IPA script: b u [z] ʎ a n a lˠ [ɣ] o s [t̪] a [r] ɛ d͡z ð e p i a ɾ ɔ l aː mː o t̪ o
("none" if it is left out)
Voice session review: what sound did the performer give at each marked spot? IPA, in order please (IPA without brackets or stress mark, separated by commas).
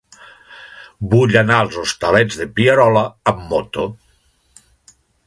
none, z, t̪, l